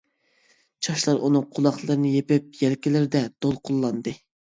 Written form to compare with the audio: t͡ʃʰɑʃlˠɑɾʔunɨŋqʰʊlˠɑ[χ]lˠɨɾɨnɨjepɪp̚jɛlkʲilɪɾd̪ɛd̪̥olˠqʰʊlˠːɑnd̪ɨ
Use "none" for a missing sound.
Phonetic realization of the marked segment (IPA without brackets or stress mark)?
χ